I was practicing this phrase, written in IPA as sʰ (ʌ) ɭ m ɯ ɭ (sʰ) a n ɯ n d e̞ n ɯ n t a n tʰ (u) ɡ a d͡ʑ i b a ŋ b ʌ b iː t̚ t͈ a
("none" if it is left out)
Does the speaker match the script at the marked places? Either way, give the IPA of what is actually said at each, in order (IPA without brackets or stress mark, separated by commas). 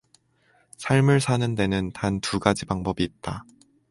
a, sʰ, u